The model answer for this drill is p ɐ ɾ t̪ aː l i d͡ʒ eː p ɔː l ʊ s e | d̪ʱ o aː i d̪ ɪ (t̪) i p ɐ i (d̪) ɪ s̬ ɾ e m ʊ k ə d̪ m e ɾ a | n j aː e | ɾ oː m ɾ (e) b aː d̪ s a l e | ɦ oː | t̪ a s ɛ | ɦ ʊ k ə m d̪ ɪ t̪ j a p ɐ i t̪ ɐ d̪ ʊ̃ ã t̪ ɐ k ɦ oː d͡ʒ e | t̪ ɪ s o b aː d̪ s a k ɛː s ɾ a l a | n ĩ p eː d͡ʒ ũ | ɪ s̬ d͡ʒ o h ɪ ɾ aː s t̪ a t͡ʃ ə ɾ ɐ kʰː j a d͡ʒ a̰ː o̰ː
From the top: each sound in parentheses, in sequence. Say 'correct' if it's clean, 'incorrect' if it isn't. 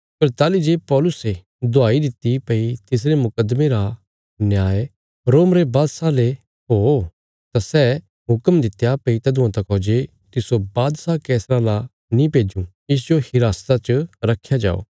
correct, incorrect, correct

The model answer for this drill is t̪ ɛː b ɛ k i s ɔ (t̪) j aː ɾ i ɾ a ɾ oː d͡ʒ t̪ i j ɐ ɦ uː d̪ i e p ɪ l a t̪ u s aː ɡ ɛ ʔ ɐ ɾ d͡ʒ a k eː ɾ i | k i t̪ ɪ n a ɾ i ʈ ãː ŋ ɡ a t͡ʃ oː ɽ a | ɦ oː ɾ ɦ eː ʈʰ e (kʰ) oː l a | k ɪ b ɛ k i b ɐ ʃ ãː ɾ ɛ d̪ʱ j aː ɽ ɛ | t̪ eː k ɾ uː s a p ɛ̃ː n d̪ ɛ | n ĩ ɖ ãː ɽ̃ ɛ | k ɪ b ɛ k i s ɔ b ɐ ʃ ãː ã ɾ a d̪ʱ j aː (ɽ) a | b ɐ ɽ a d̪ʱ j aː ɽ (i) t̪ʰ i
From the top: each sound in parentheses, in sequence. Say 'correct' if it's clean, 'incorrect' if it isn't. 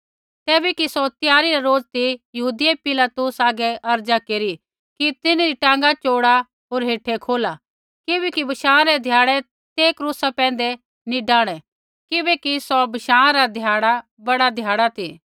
correct, correct, correct, incorrect

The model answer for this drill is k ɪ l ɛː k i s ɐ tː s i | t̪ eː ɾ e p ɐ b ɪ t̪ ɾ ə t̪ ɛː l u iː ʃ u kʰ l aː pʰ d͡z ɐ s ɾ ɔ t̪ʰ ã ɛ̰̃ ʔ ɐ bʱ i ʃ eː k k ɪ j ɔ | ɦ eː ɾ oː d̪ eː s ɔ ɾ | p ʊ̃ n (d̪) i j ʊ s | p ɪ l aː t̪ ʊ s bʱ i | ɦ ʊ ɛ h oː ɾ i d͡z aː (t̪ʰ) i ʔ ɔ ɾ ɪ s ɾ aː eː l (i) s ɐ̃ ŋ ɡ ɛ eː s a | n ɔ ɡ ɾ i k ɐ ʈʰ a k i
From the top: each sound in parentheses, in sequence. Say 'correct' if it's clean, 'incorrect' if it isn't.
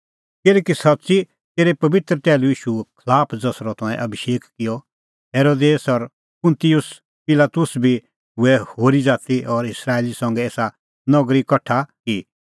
incorrect, incorrect, correct

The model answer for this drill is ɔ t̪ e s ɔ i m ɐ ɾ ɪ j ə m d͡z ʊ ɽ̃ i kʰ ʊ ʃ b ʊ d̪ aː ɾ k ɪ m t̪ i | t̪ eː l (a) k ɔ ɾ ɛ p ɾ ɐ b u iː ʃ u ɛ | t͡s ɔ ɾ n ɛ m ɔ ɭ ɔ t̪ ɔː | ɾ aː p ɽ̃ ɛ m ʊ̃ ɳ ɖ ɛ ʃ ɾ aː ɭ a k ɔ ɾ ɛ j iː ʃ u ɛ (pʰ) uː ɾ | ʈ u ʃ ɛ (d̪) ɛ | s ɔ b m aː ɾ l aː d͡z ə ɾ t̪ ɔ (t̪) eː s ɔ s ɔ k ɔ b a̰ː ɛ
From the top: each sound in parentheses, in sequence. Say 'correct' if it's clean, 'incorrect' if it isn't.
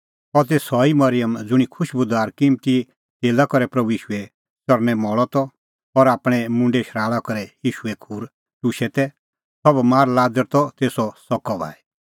correct, incorrect, incorrect, correct

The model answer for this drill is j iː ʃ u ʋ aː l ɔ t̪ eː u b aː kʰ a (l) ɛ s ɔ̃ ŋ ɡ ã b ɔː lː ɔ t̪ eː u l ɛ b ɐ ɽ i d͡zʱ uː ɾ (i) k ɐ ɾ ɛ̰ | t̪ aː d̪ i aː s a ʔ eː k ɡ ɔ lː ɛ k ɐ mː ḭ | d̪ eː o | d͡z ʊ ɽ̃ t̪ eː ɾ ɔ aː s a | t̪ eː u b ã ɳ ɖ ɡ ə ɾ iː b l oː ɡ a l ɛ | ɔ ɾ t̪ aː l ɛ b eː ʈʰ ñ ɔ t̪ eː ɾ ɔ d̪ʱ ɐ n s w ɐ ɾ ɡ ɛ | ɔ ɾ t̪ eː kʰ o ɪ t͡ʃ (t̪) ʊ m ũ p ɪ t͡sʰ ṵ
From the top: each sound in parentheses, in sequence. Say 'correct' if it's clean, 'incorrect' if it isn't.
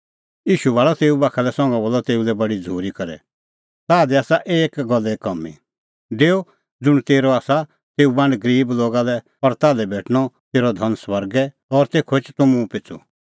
correct, correct, correct

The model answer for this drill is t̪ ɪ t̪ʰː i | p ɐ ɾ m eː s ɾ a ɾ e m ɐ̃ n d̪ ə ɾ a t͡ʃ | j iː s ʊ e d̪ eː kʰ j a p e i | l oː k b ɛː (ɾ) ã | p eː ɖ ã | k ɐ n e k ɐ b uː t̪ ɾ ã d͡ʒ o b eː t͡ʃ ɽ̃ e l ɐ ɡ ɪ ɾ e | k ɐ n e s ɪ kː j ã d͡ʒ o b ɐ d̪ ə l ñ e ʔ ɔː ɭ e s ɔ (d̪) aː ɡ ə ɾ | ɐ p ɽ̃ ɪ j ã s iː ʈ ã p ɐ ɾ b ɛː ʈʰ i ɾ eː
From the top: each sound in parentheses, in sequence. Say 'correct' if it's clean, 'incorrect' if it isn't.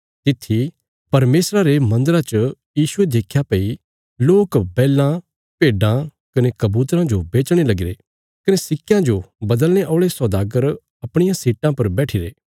incorrect, correct

